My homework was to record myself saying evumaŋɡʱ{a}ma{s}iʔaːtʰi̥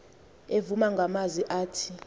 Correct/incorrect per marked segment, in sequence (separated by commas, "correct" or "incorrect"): correct, incorrect